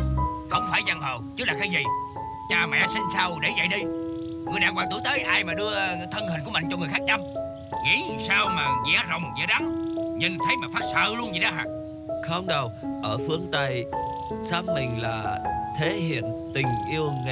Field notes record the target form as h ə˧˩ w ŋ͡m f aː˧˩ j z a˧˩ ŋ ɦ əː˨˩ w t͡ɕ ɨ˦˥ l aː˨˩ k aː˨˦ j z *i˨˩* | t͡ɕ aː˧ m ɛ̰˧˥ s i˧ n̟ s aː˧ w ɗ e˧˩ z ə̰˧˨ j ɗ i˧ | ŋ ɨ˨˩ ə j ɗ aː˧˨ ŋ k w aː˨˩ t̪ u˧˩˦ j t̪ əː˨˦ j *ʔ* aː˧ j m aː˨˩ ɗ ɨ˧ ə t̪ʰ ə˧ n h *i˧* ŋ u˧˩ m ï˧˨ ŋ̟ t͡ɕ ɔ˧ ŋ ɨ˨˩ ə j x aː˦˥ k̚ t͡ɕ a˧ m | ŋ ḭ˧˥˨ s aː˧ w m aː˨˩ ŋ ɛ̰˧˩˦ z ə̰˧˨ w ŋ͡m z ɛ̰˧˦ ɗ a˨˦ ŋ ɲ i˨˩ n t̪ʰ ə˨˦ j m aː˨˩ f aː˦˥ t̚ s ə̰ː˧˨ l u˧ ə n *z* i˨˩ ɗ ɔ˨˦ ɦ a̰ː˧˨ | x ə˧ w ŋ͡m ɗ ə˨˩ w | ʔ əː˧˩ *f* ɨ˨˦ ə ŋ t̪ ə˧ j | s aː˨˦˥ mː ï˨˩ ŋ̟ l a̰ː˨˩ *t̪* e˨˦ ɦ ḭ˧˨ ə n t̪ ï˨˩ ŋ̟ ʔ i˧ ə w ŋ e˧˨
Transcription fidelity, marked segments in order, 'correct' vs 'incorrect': correct, correct, incorrect: i˨˩, correct, correct, incorrect: t̪ʰ

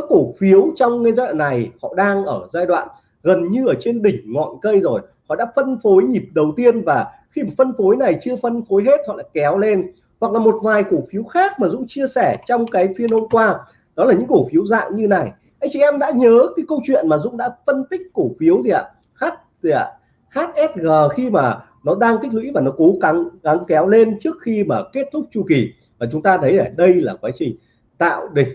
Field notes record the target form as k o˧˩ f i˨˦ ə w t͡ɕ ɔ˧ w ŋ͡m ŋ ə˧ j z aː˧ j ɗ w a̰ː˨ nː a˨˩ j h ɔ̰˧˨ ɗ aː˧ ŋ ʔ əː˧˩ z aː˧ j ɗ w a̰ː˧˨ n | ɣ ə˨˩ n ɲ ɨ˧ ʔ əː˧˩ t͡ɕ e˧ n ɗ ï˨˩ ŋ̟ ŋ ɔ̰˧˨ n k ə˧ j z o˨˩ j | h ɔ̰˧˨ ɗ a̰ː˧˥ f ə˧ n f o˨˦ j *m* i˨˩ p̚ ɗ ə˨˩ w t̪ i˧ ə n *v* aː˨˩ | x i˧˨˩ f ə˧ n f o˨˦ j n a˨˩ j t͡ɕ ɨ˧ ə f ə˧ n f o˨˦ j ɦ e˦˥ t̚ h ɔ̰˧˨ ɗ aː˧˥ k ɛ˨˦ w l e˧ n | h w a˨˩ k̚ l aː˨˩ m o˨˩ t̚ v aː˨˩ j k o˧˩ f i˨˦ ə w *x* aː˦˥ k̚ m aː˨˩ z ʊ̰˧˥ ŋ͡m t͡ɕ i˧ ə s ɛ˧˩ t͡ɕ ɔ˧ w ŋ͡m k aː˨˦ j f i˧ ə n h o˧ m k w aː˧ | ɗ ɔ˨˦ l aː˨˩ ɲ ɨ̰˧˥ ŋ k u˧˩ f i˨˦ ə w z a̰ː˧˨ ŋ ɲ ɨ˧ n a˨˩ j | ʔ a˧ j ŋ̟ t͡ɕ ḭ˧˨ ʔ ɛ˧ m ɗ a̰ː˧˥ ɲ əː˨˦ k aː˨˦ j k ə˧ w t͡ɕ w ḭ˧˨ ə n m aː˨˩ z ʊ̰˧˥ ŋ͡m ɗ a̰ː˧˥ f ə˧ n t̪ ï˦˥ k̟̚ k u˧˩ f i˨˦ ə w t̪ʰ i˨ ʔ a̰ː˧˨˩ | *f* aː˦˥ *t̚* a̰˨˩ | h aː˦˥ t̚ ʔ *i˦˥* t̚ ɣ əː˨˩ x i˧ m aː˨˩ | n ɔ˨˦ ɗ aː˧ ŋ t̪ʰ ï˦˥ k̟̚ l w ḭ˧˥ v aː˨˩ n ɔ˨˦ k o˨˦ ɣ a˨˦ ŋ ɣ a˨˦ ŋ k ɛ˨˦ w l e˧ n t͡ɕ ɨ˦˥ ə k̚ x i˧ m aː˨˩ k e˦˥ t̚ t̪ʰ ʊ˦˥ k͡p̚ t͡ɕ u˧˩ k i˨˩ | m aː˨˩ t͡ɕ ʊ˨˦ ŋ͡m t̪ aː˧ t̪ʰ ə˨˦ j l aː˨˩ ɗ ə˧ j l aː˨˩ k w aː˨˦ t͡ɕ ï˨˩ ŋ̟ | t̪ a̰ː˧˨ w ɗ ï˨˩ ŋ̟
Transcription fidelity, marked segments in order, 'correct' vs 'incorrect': incorrect: ɲ, correct, correct, incorrect: h, correct, incorrect: ɛ˦˥

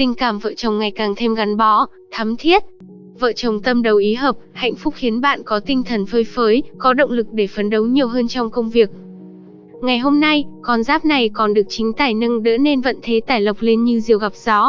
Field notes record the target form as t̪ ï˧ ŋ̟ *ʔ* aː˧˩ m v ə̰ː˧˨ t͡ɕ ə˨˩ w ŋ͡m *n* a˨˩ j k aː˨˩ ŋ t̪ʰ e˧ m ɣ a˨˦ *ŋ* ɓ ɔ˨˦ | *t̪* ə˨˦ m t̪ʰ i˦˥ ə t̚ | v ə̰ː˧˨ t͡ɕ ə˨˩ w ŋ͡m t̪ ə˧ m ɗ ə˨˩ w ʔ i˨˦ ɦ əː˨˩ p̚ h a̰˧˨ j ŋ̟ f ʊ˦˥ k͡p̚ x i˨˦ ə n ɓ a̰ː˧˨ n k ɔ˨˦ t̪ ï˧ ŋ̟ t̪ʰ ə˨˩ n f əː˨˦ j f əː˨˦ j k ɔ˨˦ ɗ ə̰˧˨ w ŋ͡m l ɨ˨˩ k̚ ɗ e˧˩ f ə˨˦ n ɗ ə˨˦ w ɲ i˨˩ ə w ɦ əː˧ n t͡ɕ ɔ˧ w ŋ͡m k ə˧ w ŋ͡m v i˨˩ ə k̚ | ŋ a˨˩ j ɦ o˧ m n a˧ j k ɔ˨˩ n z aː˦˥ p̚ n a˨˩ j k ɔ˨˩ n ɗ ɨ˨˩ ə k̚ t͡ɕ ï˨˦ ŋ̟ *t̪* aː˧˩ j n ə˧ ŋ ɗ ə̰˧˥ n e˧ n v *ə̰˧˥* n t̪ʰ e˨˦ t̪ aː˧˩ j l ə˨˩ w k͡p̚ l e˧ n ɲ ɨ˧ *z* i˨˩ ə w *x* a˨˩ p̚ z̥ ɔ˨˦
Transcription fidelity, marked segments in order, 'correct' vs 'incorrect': incorrect: k, incorrect: ŋ, incorrect: n, incorrect: t̪ʰ, correct, incorrect: ə̰˧˨, correct, incorrect: ɣ

